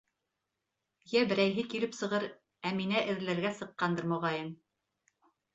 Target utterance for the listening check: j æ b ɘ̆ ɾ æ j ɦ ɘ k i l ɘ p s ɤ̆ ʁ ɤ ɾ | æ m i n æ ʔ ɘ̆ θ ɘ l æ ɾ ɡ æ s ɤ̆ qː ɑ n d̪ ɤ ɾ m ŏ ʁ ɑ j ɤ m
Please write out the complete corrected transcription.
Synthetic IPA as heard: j æ b ɘ̆ ɾ æ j ɦ ɘ k i l ɘ p s ɤ̆ ʁ ɤ ɾ | æ m i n æ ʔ ɘ̆ ð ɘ l æ ɾ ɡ æ s ɤ̆ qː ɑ n d̪ ɤ ɾ m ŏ ʁ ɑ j ɤ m